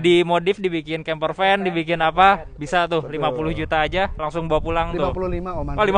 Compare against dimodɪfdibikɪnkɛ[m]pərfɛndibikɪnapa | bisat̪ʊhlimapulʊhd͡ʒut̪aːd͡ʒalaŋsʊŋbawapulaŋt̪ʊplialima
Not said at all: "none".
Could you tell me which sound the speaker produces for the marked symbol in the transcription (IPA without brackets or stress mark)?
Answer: m